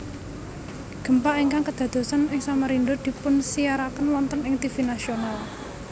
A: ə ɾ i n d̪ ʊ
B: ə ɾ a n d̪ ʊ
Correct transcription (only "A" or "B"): A